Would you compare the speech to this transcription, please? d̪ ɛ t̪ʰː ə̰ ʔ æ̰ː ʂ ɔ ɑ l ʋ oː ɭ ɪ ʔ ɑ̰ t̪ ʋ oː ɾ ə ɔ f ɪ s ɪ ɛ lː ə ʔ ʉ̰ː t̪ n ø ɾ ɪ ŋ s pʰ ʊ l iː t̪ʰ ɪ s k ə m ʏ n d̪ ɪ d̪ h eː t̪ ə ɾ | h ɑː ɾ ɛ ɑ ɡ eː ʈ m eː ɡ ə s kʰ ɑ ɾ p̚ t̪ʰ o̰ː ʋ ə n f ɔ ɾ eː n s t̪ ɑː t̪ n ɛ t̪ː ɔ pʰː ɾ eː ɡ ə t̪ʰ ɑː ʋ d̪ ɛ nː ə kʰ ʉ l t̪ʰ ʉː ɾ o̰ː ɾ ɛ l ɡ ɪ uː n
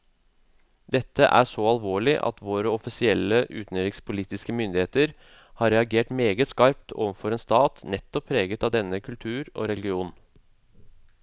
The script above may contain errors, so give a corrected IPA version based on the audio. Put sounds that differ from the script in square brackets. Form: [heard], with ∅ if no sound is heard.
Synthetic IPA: d̪ ɛ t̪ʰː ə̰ ʔ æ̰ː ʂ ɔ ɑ l ʋ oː ɭ ɪ ʔ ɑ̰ t̪ ʋ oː ɾ ə ɔ f ɪ s ɪ ɛ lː ə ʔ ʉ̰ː t̪ n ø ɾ ɪ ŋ s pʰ ʊ l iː [t̪] ɪ s k ə m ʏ n d̪ ɪ [∅] h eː t̪ ə ɾ | h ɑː ɾ ɛ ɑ ɡ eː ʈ m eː ɡ ə s [k] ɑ ɾ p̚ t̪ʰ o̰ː ʋ ə n f ɔ ɾ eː n s t̪ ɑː t̪ n ɛ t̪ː ɔ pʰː ɾ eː ɡ ə [t̪] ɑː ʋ d̪ ɛ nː ə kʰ ʉ l t̪ʰ ʉː ɾ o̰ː ɾ ɛ l ɡ ɪ uː n